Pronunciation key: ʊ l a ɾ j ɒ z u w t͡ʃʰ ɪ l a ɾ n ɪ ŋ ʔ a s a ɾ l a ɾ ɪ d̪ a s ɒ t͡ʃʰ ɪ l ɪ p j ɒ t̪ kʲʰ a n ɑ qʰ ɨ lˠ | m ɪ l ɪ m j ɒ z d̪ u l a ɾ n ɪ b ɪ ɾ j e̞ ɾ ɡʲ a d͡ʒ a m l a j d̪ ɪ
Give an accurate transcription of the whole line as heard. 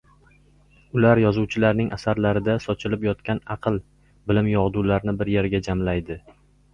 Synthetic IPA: ʊ l a ɾ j ɒ z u w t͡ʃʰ ɪ l a ɾ n ɪ ŋ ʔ a s a ɾ l a ɾ ɪ d̪ a s ɒ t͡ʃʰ ɪ l ɪ p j ɒ t̪ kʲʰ a n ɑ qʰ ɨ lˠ | b ɪ l ɪ m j ɒ ʁ d̪ u l a ɾ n ɪ b ɪ ɾ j e̞ ɾ ɡʲ a d͡ʒ a m l a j d̪ ɪ